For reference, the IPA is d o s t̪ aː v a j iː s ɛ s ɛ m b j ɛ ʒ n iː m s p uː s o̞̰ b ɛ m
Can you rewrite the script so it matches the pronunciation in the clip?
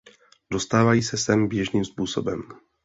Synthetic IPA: d o s t̪ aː v a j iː s ɛ s ɛ m b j ɛ ʒ n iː m s p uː s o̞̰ b ɛ m